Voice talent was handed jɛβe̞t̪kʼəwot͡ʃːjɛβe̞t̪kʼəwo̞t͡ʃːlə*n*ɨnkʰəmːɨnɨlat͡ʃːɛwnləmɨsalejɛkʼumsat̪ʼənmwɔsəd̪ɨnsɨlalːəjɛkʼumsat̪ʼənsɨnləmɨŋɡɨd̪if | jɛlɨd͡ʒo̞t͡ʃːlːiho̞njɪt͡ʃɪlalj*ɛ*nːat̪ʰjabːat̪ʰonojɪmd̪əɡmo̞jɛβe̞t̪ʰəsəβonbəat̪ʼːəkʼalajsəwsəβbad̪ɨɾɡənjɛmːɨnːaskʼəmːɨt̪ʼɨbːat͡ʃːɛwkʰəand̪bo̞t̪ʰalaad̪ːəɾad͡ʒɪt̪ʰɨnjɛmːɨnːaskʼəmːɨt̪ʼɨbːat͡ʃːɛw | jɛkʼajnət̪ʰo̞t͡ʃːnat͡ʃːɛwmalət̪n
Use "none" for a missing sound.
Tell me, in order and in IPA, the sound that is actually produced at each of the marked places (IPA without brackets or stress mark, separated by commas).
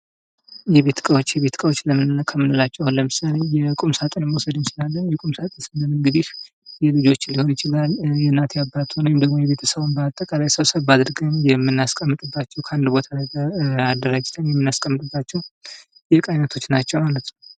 m, ɛ